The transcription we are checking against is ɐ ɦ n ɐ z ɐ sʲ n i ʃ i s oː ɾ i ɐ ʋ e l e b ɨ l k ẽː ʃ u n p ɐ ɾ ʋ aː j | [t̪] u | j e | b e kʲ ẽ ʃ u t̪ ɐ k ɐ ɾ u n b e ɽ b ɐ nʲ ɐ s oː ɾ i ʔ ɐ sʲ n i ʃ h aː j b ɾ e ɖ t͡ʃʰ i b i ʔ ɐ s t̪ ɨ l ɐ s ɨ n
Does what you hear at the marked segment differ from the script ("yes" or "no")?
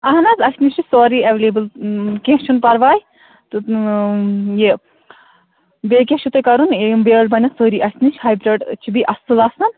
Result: no